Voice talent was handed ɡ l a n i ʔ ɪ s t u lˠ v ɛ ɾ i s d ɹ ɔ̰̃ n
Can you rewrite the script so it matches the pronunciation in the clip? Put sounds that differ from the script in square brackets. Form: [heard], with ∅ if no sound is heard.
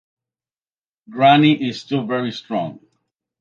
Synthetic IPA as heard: ɡ [ɹ] a n i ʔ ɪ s t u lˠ v ɛ [ɹ] i s [t] ɹ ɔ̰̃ [ŋ]